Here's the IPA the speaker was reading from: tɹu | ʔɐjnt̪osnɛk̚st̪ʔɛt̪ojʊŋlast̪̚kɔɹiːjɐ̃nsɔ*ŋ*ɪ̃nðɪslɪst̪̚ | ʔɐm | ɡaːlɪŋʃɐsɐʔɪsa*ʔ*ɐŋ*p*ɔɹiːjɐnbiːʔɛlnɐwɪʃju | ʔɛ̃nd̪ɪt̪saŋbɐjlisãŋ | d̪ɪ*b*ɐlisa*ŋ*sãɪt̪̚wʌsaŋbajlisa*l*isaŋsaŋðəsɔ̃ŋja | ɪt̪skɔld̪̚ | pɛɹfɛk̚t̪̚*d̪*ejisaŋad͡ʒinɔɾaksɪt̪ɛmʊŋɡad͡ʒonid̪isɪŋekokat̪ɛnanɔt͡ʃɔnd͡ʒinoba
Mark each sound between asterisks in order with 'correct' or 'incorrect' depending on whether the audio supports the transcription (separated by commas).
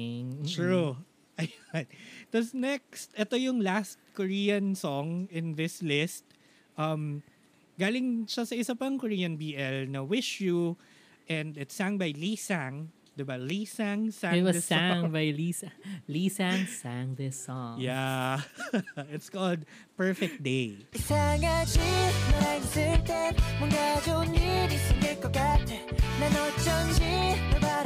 correct, incorrect, incorrect, correct, correct, correct, correct